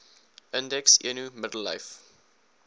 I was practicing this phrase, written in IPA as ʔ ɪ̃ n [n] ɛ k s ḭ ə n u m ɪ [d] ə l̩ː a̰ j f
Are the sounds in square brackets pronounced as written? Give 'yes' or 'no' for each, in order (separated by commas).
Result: no, yes